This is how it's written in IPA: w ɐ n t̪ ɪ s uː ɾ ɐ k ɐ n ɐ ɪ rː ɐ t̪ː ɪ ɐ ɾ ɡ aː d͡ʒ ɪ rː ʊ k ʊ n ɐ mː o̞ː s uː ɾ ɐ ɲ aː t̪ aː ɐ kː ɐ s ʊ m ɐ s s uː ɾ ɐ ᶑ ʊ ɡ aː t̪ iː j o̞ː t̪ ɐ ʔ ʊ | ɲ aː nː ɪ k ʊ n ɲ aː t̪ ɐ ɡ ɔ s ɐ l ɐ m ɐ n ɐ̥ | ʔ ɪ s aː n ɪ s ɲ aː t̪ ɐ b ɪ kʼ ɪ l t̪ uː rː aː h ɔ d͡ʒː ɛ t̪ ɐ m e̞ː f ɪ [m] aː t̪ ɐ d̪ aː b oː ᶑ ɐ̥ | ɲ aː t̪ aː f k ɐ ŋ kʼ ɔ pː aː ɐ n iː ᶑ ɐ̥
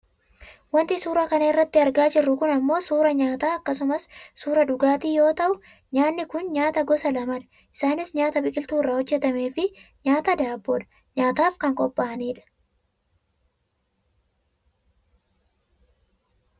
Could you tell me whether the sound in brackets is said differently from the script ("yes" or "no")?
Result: yes